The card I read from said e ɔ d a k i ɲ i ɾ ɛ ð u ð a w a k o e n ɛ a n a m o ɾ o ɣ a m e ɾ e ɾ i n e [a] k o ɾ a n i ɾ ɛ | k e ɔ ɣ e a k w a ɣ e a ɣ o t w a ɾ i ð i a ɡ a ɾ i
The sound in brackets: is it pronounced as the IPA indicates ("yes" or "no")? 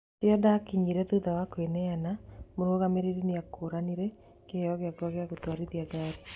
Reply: yes